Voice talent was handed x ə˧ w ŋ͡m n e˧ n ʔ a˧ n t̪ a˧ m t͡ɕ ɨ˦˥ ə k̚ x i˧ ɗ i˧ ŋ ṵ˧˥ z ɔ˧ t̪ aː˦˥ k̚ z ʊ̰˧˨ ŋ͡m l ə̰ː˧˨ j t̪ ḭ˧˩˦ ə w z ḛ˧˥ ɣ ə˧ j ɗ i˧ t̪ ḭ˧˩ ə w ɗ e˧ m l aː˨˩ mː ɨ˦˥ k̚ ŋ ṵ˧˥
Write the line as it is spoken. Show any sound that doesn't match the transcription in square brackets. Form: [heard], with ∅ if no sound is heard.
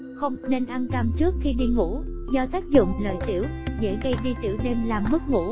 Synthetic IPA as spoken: x ə˧ w ŋ͡m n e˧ n ʔ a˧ n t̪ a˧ m t͡ɕ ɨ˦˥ ə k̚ x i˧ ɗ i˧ ŋ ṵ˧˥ z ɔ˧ t̪ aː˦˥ k̚ z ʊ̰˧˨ ŋ͡m l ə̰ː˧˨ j t̪ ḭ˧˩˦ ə w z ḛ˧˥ ɣ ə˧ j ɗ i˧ t̪ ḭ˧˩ ə w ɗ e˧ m l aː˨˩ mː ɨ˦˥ k̚ ŋ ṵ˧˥